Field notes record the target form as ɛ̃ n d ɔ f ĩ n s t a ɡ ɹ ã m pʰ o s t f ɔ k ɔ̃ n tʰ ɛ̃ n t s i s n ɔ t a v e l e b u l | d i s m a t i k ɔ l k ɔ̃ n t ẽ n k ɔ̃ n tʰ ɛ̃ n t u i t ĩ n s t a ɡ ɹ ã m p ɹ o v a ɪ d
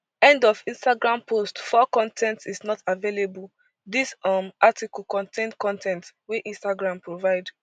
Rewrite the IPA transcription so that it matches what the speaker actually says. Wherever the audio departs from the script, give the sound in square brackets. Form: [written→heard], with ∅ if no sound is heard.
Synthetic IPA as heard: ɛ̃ n d ɔ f ĩ n s t a ɡ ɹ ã m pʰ o s t f ɔ k ɔ̃ n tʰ ɛ̃ n t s i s n ɔ t a v e l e b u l | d i s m a t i k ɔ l k ɔ̃ n t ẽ n k ɔ̃ n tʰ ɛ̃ n t [u→w] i [t→ʔ] ĩ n s t a ɡ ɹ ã m p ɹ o v a ɪ d